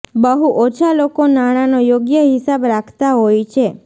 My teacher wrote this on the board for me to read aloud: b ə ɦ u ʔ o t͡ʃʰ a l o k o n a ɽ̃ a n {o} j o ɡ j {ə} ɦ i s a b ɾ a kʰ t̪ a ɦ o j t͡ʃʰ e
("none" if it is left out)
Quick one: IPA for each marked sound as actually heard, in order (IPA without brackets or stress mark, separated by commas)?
o, ə